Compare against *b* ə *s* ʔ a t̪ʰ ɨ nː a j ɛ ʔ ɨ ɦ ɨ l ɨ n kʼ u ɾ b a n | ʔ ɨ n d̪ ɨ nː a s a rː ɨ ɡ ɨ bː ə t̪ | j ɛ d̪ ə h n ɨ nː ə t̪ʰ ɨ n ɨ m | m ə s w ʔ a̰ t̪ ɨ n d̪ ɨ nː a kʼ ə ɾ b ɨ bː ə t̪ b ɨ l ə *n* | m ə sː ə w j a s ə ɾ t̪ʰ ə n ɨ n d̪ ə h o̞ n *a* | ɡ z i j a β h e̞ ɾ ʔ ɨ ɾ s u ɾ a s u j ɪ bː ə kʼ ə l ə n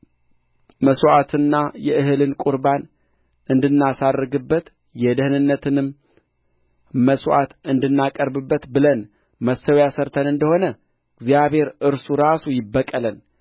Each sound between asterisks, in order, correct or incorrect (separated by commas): incorrect, correct, correct, incorrect